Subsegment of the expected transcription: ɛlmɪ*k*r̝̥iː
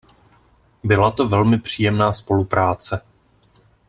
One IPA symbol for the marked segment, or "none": p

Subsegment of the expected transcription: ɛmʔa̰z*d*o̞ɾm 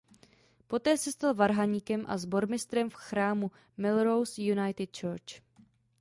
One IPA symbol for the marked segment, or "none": b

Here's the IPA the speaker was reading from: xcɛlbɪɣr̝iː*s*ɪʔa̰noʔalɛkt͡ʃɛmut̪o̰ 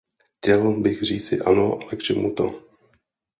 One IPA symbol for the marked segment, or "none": t͡s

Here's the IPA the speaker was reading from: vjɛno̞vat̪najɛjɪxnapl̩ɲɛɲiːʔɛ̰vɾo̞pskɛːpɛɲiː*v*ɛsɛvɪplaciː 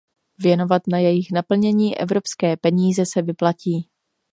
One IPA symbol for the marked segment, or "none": z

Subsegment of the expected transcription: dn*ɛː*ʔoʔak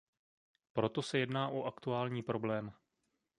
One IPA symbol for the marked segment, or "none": aː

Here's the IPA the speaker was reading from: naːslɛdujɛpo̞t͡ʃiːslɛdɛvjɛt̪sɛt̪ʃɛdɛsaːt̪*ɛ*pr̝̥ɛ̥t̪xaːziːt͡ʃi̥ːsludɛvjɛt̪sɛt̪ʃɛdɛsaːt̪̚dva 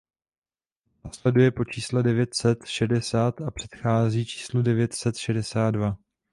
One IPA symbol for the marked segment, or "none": a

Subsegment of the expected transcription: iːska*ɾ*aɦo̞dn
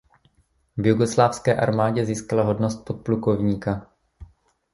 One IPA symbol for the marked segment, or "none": l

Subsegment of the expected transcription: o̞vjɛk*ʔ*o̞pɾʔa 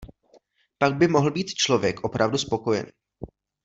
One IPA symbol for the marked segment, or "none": ʔ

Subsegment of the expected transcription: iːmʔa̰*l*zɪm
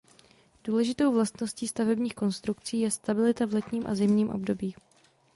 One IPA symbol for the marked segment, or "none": none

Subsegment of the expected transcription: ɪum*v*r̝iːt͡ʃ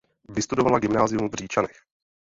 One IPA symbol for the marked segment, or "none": v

